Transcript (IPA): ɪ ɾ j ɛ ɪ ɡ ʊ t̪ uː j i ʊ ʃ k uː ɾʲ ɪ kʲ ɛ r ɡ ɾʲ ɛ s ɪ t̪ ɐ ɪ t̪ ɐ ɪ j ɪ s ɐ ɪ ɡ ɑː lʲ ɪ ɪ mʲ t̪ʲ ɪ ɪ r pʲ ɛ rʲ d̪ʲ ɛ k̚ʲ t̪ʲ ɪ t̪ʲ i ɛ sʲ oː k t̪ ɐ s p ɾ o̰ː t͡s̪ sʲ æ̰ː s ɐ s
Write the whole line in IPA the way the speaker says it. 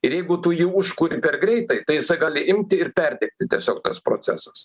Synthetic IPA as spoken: ɪ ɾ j ɛ ɪ ɡ ʊ t̪ uː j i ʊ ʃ k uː ɾʲ ɪ pʲ ɛ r ɡ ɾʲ ɛ ɪ t̪ ɐ ɪ t̪ ɐ ɪ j ɪ s ɐ ɪ ɡ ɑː lʲ ɪ ɪ mʲ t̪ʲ ɪ ɪ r pʲ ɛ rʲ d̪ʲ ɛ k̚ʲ t̪ʲ ɪ t̪ʲ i ɛ sʲ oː k t̪ ɐ s p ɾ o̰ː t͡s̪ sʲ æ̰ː s ɐ s